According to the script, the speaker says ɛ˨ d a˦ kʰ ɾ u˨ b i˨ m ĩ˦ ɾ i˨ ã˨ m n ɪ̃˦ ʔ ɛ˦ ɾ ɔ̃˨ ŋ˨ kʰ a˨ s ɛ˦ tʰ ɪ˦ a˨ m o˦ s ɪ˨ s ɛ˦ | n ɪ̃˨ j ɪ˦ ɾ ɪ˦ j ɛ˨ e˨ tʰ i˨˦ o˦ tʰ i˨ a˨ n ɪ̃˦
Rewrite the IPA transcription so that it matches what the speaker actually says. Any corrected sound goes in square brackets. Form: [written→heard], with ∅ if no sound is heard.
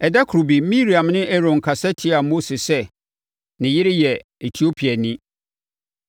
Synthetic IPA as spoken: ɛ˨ d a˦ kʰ ɾ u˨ b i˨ m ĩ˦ ɾ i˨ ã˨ m n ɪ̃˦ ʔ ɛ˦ ɾ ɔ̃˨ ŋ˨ kʰ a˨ s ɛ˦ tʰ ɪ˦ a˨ m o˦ s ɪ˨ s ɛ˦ | n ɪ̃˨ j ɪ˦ ɾ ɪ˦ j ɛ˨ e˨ tʰ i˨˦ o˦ [tʰ→pʰ] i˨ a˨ n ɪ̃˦

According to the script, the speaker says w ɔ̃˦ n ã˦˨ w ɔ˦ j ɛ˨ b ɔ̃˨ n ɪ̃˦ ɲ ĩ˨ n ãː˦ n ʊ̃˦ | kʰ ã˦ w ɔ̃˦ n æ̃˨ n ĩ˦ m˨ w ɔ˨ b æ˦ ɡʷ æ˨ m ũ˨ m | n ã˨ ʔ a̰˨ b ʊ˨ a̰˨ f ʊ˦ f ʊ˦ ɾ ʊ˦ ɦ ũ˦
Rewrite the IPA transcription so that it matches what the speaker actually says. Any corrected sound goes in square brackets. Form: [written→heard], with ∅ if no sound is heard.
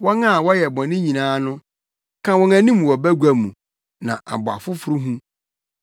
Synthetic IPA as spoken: w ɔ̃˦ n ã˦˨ w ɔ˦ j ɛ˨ b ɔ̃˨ n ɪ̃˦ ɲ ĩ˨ n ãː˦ n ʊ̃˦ | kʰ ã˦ w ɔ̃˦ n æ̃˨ n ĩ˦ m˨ w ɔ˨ b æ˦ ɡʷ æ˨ m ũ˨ [m→∅] | n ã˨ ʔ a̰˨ b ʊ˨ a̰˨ f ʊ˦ f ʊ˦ ɾ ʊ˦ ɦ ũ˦

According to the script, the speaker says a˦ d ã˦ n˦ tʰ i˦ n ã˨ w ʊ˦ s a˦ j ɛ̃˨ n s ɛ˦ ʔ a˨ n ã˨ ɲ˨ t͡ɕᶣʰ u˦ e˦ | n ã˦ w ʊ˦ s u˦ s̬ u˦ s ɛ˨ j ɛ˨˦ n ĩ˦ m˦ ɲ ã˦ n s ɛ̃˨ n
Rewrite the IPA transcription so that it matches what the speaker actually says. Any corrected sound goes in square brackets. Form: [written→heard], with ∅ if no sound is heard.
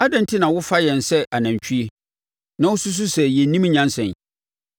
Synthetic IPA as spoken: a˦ d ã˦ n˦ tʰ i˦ n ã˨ w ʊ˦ [s→f] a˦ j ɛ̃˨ n s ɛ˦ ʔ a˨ n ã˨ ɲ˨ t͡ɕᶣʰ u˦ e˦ | n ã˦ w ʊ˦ s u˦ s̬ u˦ s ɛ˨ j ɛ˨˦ n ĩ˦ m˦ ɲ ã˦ n s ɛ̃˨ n

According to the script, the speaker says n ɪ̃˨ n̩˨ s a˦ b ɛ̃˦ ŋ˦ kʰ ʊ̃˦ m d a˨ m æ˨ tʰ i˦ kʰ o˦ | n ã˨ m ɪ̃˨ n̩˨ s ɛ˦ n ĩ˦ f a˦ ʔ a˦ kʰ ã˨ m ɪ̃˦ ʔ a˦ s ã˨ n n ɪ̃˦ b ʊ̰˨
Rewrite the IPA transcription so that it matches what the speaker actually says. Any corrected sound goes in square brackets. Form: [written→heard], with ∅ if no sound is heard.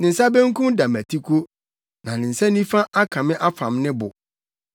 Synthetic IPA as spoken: n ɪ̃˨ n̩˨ s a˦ b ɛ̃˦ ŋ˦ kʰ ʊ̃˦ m d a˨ m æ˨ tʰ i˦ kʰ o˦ | n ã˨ [m→n] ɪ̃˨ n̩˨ s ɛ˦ n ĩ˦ f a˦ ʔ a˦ kʰ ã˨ m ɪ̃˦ ʔ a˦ [s→f] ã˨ [n→m] n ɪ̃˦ b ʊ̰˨

